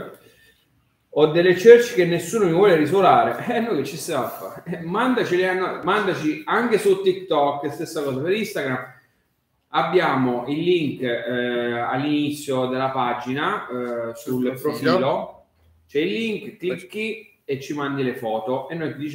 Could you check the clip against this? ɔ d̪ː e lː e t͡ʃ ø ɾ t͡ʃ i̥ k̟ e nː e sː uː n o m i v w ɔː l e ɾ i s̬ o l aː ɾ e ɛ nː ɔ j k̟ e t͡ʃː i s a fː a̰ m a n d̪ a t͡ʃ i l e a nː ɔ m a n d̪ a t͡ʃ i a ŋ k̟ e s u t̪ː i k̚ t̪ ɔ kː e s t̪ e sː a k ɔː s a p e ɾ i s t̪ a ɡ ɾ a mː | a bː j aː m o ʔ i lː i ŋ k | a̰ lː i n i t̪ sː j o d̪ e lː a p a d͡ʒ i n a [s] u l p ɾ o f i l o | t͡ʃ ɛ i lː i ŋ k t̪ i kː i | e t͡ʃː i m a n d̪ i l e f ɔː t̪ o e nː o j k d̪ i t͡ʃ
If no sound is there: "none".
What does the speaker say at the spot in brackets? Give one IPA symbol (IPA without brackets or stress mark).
s